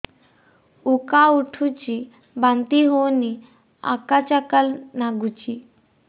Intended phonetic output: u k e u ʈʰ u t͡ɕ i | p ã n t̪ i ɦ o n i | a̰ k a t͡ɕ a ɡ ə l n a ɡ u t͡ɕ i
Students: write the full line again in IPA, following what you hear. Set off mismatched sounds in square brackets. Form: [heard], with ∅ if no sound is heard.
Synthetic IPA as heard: u k [a] u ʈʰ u t͡ɕ i | [b] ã n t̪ i ɦ o n i | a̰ k a t͡ɕ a [k] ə l n a ɡ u t͡ɕ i